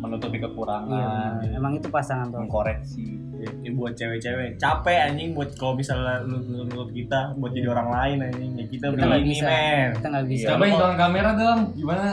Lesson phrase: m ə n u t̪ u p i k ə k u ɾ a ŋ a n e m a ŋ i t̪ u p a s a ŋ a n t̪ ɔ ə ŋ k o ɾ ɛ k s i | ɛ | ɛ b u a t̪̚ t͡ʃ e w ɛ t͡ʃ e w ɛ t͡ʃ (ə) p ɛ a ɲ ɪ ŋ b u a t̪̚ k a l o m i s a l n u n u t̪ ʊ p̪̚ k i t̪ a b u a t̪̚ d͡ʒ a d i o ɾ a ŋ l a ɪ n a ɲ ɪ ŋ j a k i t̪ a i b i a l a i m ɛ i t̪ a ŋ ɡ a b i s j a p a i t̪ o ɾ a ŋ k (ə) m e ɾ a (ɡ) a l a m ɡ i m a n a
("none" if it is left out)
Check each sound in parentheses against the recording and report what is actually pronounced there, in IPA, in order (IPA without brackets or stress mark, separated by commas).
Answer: a, a, d